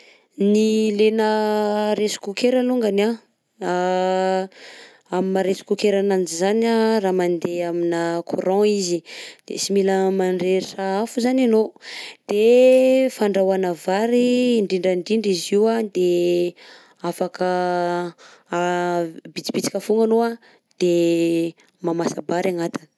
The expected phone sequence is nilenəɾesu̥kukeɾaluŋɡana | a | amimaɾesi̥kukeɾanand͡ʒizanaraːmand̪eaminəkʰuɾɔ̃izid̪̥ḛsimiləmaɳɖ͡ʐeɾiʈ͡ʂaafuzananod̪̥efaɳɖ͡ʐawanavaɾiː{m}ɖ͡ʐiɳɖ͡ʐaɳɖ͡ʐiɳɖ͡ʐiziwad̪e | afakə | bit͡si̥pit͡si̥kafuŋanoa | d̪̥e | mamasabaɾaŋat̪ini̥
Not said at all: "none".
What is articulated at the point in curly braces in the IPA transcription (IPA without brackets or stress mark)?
ɳ